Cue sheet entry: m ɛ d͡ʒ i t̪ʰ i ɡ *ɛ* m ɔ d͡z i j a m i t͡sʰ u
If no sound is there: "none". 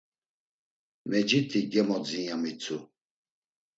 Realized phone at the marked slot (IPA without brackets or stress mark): ɛ